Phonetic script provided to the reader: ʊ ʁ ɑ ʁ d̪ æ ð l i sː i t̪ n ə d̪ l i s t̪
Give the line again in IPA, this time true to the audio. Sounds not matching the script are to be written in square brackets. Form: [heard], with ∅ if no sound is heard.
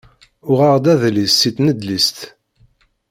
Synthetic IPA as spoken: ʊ ʁ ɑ ʁ d̪ æ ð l i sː i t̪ n ə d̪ l i s t̪